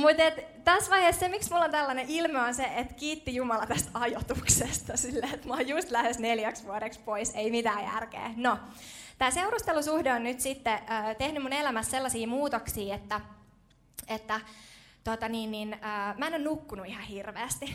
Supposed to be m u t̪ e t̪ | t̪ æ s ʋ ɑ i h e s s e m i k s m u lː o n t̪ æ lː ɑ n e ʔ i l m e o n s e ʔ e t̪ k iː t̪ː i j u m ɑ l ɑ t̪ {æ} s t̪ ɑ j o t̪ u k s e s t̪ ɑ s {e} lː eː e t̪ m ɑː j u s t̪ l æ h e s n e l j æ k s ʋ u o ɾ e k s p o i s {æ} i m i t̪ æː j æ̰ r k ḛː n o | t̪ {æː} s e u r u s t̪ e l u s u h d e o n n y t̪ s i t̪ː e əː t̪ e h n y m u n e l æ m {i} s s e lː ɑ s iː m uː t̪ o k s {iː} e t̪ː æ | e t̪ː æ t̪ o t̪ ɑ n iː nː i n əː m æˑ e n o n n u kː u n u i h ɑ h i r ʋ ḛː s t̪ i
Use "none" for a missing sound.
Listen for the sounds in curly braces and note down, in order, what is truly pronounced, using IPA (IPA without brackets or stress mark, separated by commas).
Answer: æ, i, e, æː, æ, iː